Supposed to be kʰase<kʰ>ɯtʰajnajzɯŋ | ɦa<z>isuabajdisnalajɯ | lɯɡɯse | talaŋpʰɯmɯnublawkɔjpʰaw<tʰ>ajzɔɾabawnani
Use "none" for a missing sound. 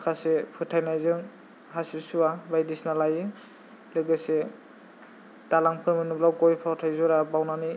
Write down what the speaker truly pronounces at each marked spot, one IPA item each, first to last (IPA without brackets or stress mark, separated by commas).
pʰ, s, tʰ